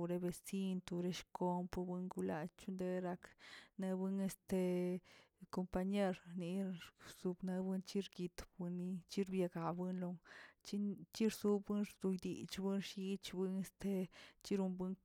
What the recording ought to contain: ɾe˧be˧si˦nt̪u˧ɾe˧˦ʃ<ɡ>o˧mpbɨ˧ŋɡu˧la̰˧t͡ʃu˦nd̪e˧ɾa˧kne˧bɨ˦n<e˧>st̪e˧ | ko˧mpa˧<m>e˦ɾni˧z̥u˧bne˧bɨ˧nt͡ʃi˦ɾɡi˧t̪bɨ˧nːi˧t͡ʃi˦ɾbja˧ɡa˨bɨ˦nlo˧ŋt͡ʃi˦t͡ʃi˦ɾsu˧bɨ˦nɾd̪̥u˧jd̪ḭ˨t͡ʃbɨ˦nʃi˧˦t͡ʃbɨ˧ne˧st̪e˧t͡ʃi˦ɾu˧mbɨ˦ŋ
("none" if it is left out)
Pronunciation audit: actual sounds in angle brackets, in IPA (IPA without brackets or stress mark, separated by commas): k, e˧, ɲ